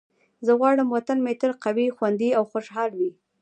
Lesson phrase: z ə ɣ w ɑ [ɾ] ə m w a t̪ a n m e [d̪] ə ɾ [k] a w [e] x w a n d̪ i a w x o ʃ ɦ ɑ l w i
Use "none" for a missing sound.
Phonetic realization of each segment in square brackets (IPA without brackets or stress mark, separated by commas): ɽ, t̪, q, i